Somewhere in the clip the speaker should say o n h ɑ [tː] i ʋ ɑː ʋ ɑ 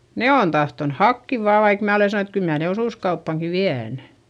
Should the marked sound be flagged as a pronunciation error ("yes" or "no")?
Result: yes